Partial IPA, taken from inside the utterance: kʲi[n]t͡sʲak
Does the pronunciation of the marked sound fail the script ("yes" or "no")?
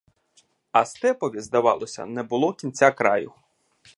no